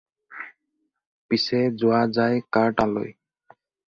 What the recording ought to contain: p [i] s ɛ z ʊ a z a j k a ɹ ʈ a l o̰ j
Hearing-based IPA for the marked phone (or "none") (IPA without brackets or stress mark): i